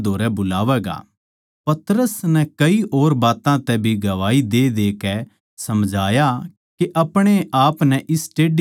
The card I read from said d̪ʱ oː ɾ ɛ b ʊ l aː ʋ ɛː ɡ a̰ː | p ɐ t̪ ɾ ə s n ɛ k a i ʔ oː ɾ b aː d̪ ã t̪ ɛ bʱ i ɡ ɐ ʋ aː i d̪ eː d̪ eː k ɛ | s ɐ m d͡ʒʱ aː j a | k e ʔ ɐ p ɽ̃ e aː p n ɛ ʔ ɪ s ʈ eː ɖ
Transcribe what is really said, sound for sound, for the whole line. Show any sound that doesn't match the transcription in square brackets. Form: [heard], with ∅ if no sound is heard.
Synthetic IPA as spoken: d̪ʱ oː ɾ ɛ b ʊ l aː ʋ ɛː ɡ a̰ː | p ɐ t̪ ɾ ə s n ɛ k [ɐ] i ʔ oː ɾ b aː [t̪] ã t̪ ɛ bʱ i ɡ ɐ ʋ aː i d̪ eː d̪ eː k ɛ | s ɐ m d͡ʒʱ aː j a | k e ʔ ɐ p ɽ̃ e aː p n ɛ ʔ ɪ s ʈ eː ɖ